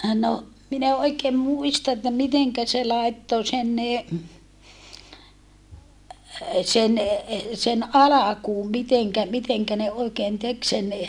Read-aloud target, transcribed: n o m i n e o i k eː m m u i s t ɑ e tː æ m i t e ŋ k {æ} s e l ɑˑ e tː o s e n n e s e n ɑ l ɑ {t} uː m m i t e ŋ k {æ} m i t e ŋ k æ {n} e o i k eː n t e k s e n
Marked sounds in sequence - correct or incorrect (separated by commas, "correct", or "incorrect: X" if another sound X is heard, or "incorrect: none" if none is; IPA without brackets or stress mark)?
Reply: correct, incorrect: k, correct, correct